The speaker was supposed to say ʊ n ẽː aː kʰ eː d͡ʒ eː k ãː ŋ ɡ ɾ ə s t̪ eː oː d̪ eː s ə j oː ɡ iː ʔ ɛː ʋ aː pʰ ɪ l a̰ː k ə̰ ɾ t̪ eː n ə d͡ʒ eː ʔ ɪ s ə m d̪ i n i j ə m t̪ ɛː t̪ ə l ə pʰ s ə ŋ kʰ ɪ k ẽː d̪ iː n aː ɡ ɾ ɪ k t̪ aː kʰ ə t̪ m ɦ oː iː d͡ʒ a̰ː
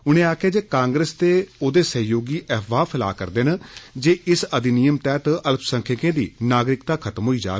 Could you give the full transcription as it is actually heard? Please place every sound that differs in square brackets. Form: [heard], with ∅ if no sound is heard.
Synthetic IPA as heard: ʊ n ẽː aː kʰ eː d͡ʒ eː k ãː ŋ ɡ ɾ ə s t̪ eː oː d̪ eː s ə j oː ɡ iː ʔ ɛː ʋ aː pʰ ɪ l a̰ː k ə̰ ɾ [d̪] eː n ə d͡ʒ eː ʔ ɪ s ə [∅] d̪ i n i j ə m t̪ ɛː t̪ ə l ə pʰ s ə ŋ kʰ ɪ k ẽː d̪ iː n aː ɡ ɾ ɪ k t̪ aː kʰ ə t̪ m ɦ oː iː d͡ʒ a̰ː